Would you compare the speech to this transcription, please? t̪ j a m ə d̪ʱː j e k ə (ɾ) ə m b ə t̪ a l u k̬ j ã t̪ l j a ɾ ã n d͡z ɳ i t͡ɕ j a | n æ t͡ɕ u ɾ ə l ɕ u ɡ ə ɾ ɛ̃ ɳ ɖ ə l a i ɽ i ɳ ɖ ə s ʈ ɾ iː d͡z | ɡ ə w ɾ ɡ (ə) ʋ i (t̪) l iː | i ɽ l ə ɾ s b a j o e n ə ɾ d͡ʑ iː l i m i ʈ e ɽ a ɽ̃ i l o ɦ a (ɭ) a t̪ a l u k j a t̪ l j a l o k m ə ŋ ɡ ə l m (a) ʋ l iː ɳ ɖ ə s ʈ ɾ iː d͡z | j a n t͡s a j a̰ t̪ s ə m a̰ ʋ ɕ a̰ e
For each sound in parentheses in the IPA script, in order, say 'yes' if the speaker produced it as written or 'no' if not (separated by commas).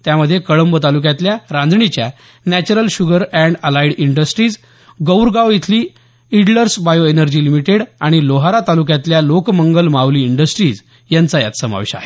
no, no, no, no, yes